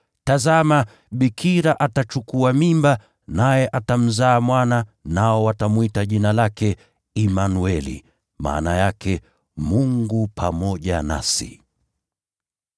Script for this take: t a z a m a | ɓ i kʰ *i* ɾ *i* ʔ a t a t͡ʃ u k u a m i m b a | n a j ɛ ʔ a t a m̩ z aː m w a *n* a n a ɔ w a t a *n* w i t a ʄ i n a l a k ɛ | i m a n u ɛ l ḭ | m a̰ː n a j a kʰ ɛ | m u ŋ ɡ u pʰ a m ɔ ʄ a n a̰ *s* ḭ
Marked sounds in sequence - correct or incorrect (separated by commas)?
correct, incorrect, correct, incorrect, correct